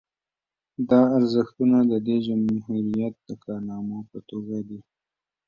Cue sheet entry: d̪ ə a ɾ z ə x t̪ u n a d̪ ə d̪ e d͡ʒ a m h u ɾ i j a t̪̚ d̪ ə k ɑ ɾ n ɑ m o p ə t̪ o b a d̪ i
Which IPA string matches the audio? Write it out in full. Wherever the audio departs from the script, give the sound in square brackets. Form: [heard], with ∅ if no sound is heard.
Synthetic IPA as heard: d̪ [ɑ] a ɾ z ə x t̪ u n a d̪ ə d̪ e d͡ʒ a m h u ɾ i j a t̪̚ d̪ ə k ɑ ɾ n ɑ m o p ə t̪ o [ɡ] a d̪ i